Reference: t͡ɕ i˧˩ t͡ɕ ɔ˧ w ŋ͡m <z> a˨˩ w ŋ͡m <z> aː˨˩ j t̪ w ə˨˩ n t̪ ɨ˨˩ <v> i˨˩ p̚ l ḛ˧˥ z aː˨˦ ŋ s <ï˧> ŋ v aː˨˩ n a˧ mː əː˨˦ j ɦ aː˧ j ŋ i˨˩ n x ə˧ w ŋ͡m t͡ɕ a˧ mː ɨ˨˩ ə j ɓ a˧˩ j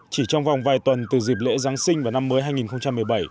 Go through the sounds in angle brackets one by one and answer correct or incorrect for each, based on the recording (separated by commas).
incorrect, incorrect, incorrect, correct